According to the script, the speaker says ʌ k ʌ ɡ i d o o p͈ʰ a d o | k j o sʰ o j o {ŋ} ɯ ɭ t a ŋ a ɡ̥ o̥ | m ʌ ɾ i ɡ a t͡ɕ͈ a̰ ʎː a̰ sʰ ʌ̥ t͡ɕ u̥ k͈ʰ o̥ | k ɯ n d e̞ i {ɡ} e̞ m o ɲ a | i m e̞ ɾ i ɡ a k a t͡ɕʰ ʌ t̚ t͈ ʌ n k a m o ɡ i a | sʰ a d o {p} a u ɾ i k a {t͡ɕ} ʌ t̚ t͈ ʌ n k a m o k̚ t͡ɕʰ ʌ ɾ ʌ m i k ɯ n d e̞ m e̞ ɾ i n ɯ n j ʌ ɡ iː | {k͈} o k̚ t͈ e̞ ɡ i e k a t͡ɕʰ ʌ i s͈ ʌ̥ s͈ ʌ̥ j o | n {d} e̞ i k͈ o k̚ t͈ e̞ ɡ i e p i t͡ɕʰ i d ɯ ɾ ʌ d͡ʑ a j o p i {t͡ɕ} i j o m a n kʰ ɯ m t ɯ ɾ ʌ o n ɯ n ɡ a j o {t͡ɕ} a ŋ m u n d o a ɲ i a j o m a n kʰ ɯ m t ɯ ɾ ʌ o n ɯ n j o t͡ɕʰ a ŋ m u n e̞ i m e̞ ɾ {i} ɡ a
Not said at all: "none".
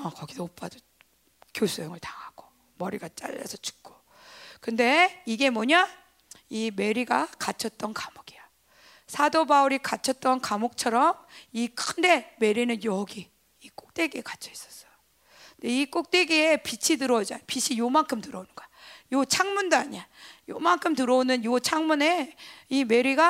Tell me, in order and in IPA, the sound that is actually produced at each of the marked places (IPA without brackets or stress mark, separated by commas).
ŋ, ɡ, b, t͡ɕʰ, k͈, d, t͡ɕʰ, t͡ɕʰ, i